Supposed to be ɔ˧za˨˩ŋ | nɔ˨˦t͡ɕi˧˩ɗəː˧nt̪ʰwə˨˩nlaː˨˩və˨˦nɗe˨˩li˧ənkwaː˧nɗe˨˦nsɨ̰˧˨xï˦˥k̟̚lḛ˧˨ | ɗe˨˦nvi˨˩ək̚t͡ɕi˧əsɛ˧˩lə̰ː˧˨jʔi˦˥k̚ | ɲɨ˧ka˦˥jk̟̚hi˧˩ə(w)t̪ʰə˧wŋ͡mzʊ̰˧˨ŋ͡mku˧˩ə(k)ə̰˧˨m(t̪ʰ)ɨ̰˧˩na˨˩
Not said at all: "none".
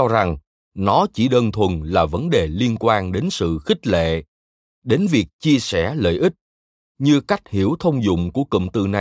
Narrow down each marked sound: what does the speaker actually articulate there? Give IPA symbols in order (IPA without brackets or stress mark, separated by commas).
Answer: w, k, t̪